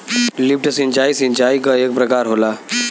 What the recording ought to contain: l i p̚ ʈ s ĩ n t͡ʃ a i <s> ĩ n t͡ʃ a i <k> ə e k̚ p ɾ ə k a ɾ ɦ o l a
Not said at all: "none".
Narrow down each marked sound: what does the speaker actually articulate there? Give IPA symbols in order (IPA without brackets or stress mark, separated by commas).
s, k